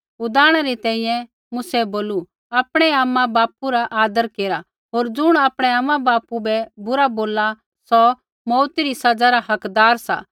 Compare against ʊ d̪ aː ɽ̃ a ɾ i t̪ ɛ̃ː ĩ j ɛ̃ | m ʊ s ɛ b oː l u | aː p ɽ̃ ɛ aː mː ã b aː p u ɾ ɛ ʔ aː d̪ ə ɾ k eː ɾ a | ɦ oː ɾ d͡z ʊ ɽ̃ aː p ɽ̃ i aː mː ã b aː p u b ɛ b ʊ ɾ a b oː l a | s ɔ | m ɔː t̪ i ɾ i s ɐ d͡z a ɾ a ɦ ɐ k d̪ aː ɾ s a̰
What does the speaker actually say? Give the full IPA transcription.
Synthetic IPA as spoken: ʊ d̪ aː ɽ̃ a ɾ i t̪ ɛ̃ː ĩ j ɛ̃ | m ʊ s ɛ b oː l u | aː p ɽ̃ ɛ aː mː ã b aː p u ɾ a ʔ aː d̪ ə ɾ k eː ɾ a | ɦ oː ɾ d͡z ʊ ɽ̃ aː p ɽ̃ ɛ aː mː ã b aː p u b ɛ b ʊ ɾ a b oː l a | s ɔ | m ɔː t̪ i ɾ i s ɐ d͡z a ɾ a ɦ ɐ k d̪ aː ɾ s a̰